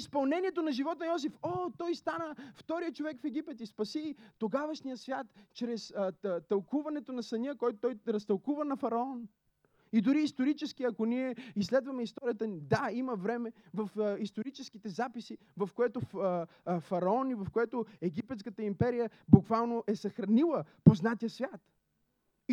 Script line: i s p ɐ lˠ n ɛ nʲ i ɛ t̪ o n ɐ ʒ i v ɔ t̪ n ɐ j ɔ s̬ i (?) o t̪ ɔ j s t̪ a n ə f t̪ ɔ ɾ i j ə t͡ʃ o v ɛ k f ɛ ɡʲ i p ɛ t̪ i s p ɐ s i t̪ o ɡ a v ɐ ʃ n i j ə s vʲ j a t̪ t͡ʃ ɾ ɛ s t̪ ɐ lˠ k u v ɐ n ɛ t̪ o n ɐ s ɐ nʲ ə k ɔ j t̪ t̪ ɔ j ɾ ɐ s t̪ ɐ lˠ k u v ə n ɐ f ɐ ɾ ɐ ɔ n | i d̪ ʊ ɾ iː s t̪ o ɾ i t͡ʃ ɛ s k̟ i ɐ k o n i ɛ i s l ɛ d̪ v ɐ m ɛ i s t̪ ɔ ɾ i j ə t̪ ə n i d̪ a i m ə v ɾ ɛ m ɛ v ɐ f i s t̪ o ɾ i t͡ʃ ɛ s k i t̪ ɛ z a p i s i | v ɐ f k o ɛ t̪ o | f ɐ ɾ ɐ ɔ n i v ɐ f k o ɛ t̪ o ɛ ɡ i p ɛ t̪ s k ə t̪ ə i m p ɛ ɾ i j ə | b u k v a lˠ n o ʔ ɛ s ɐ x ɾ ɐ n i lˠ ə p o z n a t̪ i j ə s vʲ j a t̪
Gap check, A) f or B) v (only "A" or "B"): A